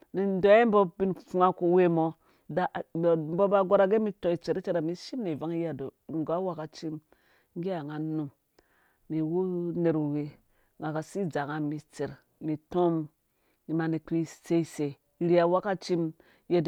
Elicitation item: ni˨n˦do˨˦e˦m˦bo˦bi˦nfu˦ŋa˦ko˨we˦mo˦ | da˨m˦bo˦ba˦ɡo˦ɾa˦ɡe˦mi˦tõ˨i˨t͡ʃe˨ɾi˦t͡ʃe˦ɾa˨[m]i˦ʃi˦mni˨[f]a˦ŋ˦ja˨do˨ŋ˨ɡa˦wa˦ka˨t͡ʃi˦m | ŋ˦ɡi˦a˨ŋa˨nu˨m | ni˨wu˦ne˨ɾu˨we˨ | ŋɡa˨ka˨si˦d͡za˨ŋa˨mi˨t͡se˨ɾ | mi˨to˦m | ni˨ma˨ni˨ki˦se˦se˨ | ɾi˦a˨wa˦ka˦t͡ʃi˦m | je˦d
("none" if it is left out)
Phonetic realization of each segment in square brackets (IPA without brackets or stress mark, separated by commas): m, v